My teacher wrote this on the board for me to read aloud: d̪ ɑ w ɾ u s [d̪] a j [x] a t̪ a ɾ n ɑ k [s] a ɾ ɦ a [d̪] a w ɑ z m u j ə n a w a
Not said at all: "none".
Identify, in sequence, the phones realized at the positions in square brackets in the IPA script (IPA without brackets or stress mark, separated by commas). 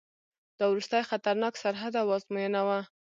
t̪, x, s, d̪